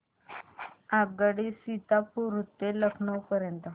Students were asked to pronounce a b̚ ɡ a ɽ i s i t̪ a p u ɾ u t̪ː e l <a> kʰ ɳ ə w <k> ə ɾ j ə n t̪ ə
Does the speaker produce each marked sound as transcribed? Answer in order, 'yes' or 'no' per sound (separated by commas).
no, no